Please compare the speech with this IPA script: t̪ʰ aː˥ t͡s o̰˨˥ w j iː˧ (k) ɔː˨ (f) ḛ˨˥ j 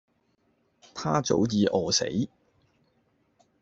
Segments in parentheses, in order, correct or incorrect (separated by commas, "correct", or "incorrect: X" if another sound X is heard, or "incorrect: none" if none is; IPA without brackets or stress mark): incorrect: ʔ, incorrect: s